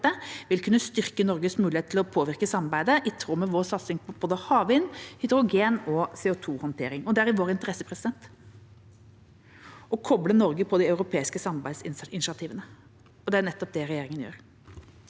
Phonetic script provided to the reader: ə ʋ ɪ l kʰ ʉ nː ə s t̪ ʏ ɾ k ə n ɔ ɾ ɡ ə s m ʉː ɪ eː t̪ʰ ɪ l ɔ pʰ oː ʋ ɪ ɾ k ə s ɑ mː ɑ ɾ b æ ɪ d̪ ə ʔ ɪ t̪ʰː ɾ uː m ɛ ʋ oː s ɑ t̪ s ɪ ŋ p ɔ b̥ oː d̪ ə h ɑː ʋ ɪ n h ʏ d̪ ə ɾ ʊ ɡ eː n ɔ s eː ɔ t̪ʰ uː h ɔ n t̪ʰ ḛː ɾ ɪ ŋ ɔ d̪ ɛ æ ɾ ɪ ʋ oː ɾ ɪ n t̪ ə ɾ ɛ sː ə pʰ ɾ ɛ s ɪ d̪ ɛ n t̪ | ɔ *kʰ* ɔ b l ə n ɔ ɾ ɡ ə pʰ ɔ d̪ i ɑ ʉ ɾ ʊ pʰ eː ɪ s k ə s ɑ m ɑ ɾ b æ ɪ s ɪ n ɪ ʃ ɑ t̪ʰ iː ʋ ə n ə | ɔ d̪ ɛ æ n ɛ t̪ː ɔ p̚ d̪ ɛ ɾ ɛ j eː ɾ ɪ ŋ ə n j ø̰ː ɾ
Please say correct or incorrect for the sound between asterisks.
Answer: correct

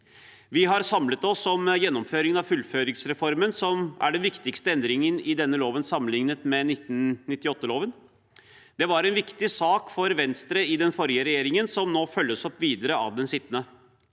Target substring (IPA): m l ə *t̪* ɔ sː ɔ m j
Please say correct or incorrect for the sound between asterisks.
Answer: correct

